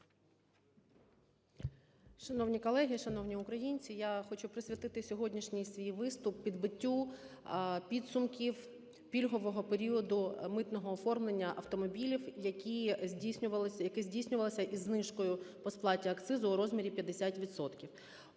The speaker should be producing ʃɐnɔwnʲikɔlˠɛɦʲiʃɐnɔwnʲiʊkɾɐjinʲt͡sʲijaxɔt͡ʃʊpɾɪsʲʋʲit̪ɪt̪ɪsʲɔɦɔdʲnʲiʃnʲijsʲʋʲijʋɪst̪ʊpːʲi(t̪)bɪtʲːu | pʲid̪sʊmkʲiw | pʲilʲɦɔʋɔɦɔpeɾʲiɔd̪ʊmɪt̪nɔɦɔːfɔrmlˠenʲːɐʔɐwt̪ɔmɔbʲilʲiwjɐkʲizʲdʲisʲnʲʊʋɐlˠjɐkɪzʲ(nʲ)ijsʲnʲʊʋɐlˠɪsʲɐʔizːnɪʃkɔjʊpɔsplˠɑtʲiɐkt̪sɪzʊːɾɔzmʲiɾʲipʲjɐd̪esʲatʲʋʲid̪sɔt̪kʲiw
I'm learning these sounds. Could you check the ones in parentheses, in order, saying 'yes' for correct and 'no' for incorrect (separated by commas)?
no, no